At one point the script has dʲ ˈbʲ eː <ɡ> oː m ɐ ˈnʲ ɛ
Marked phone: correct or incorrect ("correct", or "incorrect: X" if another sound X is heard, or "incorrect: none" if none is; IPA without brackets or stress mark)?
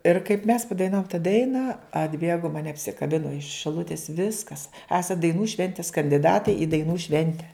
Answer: correct